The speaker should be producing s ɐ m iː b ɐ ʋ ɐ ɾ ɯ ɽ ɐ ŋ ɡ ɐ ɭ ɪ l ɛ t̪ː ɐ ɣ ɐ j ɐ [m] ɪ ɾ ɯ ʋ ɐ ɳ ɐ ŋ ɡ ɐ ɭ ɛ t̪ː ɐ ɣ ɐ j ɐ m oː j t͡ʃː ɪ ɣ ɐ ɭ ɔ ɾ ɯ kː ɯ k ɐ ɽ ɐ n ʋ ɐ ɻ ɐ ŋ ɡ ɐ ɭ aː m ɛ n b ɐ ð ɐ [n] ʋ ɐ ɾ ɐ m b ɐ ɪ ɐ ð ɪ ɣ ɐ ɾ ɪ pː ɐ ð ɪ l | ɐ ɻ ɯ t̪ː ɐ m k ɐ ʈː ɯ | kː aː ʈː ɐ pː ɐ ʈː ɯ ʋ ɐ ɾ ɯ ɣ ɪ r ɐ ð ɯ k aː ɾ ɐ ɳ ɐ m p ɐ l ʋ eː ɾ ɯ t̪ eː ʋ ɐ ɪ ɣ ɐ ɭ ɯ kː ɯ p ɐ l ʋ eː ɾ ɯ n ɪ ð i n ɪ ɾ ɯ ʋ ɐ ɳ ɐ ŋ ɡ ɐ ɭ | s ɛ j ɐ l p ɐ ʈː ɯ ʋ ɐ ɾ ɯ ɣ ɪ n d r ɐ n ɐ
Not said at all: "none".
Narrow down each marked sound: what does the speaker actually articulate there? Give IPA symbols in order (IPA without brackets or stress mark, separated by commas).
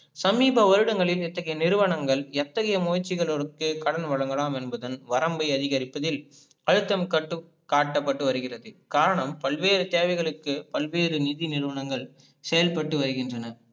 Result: n, n